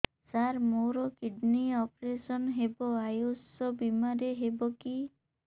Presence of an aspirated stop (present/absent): absent